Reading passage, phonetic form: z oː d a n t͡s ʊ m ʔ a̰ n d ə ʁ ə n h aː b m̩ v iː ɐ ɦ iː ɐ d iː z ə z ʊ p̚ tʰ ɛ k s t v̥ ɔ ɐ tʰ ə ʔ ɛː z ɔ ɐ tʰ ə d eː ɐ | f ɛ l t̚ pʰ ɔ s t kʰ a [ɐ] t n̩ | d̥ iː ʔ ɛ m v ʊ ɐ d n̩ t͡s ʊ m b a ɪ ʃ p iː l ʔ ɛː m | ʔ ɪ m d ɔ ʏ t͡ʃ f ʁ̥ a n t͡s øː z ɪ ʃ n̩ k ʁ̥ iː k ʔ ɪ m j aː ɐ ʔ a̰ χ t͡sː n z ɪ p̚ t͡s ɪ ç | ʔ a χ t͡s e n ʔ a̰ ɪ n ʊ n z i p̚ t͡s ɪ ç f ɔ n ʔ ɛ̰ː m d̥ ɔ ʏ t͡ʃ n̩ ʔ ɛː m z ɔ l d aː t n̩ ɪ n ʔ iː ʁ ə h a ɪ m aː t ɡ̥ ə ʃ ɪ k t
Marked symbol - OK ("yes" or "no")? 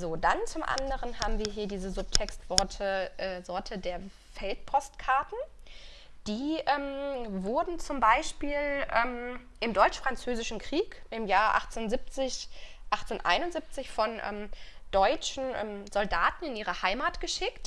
yes